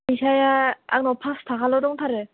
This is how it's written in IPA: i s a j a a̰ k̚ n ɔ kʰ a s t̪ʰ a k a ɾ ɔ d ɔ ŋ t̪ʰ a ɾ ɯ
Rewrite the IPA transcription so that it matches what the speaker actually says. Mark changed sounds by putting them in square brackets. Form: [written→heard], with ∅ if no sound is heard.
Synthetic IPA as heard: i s a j a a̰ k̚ n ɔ [kʰ→pʰ] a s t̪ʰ a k a [ɾ→l] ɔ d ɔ ŋ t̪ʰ a ɾ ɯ